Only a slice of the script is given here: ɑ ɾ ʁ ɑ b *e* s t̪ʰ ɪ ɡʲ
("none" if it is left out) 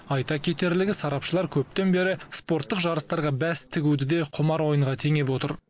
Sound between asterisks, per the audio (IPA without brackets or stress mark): æ